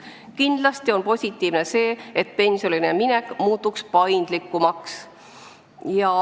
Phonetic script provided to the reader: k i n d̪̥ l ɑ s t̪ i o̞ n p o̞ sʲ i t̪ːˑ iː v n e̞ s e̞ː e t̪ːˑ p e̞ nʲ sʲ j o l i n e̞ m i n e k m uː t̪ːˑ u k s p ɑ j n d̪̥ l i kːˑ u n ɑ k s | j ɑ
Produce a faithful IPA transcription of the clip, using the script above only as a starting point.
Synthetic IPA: k i n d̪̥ l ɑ s t̪ i o̞ n p o̞ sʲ i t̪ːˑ iː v n e̞ s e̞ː e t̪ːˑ p e̞ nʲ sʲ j o l i n e̞ m i n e k m uː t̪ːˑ u k s p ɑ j n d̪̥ l i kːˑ u m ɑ k s | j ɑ